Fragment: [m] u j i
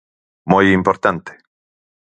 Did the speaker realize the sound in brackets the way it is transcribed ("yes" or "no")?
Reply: yes